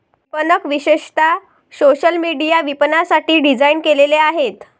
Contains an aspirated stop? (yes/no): no